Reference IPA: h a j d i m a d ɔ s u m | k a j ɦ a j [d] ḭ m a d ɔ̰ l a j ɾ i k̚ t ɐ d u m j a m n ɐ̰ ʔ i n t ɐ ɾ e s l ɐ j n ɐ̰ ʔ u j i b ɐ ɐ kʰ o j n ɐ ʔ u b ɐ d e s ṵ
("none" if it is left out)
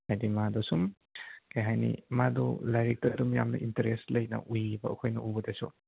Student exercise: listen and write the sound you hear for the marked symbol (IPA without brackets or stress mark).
n